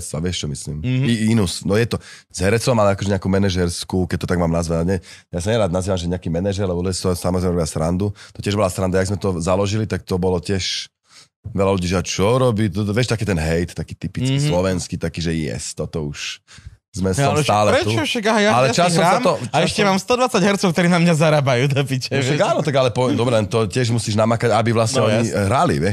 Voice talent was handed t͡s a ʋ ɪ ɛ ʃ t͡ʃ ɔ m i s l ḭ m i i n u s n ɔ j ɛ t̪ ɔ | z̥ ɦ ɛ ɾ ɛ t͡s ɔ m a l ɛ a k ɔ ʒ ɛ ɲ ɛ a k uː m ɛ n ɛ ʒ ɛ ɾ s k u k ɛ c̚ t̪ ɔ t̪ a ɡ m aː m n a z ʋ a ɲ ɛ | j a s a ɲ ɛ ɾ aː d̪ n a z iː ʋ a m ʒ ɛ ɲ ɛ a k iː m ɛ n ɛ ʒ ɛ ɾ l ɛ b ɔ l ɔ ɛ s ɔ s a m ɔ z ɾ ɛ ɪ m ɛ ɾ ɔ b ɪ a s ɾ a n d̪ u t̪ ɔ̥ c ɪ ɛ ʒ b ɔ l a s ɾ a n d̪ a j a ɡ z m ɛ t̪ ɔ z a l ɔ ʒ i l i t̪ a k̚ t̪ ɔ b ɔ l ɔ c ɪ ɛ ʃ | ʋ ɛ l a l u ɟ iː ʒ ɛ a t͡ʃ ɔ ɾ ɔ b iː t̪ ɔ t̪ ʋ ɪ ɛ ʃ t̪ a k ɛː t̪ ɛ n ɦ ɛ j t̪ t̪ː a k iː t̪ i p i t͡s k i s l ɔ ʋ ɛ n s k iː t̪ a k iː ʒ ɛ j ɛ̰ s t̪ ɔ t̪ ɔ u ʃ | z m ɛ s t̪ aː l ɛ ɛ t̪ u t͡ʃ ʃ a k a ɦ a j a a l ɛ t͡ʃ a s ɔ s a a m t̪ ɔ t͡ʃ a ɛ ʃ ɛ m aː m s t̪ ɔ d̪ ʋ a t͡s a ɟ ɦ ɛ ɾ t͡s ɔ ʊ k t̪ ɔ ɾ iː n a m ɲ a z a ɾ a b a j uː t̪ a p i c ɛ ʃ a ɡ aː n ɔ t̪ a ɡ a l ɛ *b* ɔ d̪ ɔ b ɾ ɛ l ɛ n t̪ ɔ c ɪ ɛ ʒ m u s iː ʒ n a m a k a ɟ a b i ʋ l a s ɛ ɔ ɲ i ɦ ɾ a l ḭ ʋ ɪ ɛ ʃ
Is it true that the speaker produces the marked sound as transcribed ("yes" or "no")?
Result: no